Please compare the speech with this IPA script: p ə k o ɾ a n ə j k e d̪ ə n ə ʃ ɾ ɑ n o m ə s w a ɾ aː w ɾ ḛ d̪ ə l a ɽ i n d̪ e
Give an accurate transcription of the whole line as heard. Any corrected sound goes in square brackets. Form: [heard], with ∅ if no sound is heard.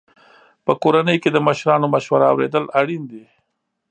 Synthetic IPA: p ə k o ɾ a n ə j k e d̪ ə [m] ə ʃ ɾ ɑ n o m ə [ʃ] w a ɾ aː w ɾ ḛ d̪ ə l a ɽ i n d̪ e